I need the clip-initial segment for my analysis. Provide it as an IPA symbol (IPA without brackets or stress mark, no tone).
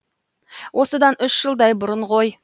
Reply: w